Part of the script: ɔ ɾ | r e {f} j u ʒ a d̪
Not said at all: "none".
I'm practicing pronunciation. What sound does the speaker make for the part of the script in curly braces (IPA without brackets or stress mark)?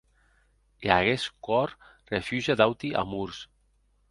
f